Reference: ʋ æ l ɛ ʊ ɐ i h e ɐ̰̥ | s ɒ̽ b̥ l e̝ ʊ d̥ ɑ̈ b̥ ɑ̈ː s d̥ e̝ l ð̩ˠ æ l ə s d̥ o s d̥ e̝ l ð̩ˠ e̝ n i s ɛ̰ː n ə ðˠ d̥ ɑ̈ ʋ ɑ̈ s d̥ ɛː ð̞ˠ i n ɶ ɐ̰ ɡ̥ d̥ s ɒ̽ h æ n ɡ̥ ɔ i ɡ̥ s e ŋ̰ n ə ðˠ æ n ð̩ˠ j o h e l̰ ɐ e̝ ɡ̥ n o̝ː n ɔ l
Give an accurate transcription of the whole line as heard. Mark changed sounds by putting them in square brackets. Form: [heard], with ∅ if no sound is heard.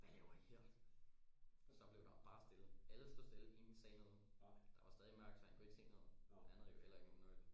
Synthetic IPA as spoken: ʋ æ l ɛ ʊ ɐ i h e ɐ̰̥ | s ɒ̽ b̥ l e̝ ʊ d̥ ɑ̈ b̥ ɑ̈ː s d̥ e̝ l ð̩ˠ æ l ə s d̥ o s d̥ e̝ l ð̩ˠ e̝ n i s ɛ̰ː n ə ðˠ d̥ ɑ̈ ʋ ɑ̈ s d̥ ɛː ð̞ˠ i [m] ɶ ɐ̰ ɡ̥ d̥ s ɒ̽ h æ n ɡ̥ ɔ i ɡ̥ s e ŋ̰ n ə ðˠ æ n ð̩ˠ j o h e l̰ ɐ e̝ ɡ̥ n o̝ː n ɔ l

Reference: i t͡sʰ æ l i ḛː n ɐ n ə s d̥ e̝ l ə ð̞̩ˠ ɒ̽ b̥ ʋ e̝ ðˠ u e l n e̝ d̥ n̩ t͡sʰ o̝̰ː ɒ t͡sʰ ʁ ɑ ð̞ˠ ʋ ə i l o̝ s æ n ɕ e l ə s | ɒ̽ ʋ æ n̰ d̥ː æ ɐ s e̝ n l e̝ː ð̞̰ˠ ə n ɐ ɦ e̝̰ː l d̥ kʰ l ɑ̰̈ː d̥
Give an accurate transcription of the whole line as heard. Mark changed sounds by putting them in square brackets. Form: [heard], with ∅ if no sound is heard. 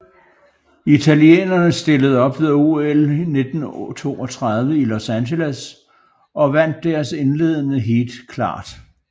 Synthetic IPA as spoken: i t͡sʰ æ l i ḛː n ɐ n ə s d̥ e̝ l ə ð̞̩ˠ ɒ̽ b̥ ʋ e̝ ðˠ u e l n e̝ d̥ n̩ t͡sʰ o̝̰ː ɒ t͡sʰ ʁ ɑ ð̞ˠ ʋ ə i l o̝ s æ n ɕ e l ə s | ɒ̽ ʋ æ n̰ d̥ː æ ɐ s e̝ n l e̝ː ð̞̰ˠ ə n [ə] ɦ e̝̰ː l d̥ kʰ l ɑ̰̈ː d̥

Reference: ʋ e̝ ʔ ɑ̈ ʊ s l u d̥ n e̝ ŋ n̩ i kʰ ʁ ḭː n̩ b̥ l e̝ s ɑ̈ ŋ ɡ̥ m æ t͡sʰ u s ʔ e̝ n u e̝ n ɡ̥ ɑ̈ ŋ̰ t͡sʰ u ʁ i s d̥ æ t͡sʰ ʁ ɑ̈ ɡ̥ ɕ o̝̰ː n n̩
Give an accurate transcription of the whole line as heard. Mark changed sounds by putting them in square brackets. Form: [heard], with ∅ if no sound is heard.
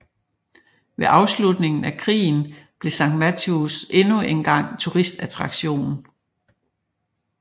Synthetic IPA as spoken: ʋ e̝ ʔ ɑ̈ ʊ s l u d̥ n e̝ ŋ n̩ [æ] kʰ ʁ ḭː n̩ b̥ l e̝ s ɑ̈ ŋ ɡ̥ m æ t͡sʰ u s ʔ e̝ n u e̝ n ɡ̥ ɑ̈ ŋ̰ t͡sʰ u ʁ i s d̥ æ t͡sʰ ʁ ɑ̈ ɡ̥ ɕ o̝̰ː n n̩

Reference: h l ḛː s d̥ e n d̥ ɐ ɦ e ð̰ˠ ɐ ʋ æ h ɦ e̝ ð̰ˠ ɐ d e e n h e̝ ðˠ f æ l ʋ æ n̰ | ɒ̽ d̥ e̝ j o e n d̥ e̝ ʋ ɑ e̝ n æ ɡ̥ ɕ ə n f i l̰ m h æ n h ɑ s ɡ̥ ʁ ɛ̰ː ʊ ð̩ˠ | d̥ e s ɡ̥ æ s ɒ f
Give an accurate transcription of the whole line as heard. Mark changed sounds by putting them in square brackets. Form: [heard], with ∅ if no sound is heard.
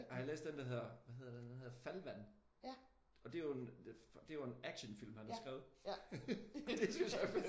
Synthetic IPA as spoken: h l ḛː s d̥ e n d̥ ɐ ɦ e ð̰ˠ ɐ ʋ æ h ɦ e̝ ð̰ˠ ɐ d e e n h e̝ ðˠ f æ l ʋ æ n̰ | ɒ̽ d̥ e̝ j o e n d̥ e̝ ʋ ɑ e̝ n æ ɡ̥ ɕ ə n f i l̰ m h æ n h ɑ s ɡ̥ ʁ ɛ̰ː ʊ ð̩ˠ | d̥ e s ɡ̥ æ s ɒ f

